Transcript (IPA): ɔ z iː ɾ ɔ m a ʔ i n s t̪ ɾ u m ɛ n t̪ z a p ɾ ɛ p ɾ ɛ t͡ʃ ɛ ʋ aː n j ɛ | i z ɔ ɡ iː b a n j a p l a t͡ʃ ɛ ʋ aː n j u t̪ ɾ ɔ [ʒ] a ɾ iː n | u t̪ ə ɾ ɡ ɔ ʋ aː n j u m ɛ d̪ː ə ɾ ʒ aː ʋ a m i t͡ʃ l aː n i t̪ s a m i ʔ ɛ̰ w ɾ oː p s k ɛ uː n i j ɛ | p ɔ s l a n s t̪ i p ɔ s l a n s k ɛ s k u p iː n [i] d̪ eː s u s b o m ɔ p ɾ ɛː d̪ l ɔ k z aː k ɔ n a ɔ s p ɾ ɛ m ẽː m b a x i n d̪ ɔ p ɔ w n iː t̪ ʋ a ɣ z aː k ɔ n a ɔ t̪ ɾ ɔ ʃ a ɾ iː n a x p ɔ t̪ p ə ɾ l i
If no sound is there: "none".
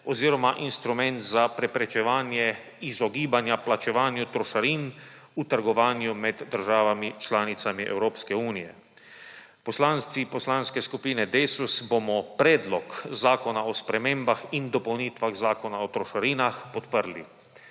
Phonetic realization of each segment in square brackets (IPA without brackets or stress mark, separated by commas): ʃ, ɛ